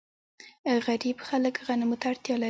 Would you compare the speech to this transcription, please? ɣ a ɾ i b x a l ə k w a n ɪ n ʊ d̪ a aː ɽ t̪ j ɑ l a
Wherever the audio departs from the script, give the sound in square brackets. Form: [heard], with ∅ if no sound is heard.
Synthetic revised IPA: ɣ a ɾ i b x a l ə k [ɣ] a n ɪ [m] ʊ [t̪] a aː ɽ t̪ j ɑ l a